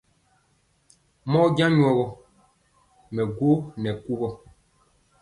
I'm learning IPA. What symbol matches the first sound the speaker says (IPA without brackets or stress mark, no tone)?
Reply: m